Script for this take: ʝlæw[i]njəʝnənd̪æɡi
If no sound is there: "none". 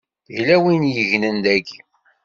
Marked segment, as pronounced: i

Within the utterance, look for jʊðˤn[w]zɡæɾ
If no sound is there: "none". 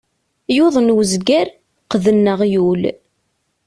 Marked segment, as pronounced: w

